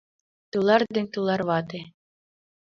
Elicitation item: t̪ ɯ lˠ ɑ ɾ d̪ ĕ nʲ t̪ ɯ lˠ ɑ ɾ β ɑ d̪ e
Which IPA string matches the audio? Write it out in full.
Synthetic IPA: t̪ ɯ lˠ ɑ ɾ d̪ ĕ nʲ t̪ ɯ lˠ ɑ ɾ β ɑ t̪ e

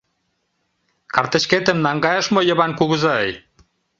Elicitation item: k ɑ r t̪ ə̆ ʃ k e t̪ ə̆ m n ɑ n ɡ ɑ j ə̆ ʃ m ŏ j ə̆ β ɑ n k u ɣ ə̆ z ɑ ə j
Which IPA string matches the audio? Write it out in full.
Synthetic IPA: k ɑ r t̪ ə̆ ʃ k e t̪ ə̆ m n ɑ ŋ ɡ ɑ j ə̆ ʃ m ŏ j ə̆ β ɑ n k u ɣ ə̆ z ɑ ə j

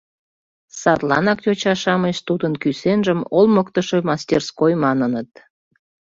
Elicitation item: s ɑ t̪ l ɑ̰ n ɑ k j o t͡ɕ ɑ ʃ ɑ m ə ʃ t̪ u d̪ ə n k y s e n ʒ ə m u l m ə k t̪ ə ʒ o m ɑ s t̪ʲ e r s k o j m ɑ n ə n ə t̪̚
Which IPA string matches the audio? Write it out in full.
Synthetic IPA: s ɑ t̪ l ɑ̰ n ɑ k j o t͡ɕ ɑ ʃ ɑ m ə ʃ t̪ u d̪ ə n k y s e n ʒ ə m o l m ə k t̪ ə ʃ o m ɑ s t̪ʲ e r s k o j m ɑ n ə n ə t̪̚

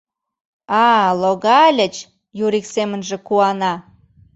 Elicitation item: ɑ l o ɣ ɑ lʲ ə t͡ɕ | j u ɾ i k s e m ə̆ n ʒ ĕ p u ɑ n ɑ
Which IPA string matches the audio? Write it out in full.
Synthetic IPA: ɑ l o ɣ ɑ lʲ ə t͡ɕ | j u ɾ i k s e m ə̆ n ʒ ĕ k u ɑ n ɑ

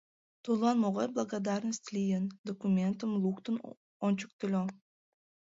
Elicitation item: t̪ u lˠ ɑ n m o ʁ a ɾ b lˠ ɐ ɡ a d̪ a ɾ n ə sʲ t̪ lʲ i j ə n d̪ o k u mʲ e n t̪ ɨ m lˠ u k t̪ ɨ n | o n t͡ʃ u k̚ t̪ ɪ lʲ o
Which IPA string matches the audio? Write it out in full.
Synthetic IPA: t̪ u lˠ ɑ n m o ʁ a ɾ b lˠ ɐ ɡ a d̪ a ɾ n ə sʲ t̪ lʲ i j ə n d̪ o k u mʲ e n t̪ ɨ m lˠ u k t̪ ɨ n | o n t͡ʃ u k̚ t̪ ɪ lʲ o

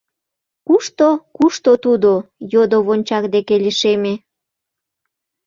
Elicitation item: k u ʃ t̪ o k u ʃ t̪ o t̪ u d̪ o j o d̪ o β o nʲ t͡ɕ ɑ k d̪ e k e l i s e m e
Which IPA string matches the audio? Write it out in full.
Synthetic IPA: k u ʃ t̪ o k u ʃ t̪ o t̪ u d̪ o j o d̪ o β o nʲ t͡ɕ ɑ k d̪ e k e l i ʃ e m e

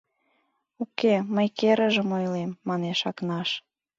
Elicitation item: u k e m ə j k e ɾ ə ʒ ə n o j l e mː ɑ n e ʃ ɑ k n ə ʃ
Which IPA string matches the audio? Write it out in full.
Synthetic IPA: u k e m ə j k e ɾ ə ʒ ə m o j l e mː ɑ n e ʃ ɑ k n ɑ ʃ

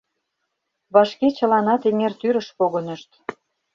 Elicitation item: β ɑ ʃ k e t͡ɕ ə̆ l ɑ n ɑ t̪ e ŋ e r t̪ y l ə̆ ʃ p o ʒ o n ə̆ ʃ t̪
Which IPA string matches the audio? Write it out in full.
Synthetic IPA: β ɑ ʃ k e t͡ɕ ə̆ l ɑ n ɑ t̪ e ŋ e r t̪ y ɾ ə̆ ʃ p o ɣ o n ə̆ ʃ t̪

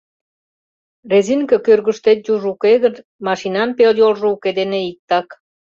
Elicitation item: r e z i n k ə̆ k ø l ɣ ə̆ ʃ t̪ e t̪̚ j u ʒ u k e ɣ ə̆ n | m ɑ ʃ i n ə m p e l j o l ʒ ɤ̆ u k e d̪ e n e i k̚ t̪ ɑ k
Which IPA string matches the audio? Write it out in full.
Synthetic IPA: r e z i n k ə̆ k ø r ɣ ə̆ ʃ t̪ e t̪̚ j u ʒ u k e ɣ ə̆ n | m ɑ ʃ i n ɑ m p e l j o l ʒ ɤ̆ u k e d̪ e n e i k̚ t̪ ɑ k

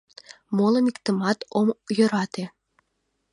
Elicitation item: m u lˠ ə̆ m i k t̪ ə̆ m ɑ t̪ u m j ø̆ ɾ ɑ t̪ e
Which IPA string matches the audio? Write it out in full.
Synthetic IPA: m o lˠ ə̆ n i k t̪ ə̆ m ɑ t̪ o m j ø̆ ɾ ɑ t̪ e

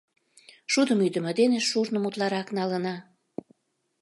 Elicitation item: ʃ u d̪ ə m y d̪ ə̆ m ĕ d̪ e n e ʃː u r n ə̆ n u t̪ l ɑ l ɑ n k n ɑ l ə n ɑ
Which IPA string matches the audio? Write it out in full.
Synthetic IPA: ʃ u d̪ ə m y d̪ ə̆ m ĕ d̪ e n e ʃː u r n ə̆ m u t̪ l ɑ ɾ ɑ k n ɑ l ə n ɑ

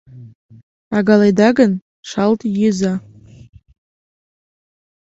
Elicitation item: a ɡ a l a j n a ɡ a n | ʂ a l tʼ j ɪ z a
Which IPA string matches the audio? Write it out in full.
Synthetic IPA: a ɡ a l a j d a ɡ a n | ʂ a l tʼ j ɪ z a

